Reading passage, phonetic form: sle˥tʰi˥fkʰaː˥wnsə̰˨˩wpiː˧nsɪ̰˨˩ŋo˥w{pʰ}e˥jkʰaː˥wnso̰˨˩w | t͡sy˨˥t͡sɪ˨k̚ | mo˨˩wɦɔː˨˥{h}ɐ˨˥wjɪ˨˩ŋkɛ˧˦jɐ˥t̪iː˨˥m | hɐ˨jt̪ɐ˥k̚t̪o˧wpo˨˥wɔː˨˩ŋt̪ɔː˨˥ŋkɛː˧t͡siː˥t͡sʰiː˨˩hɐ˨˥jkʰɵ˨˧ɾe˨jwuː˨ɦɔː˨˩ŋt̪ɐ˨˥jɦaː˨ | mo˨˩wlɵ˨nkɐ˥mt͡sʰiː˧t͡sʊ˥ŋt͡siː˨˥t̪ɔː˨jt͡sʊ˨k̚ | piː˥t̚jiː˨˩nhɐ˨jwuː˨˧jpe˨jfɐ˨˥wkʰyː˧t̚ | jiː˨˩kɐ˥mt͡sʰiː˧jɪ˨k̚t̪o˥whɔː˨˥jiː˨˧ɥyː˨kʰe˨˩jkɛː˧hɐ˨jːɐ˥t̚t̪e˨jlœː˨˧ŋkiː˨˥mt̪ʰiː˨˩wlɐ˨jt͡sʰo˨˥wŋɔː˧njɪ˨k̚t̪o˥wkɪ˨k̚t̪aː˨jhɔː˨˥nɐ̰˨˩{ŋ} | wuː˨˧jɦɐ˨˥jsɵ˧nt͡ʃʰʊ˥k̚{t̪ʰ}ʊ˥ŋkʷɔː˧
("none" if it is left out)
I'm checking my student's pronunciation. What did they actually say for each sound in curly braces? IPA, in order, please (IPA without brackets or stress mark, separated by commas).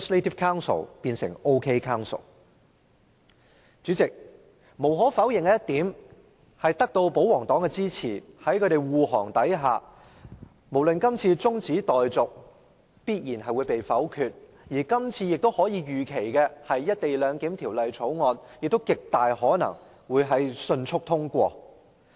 kʰ, f, ŋ, t̪ʰ